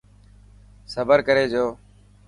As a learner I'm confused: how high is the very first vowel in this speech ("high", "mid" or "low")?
mid